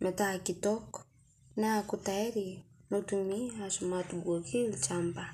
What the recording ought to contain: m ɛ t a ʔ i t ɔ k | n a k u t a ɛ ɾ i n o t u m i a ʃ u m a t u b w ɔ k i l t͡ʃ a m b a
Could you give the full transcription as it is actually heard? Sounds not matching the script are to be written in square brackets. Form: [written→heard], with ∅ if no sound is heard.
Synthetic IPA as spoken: m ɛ t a [ʔ→k] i t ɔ k | n a k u t a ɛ ɾ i n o t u m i a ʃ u m a t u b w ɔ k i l t͡ʃ a m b a